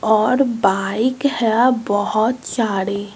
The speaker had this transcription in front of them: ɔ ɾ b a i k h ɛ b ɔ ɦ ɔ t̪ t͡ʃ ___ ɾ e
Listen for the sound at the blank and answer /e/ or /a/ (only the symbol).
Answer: a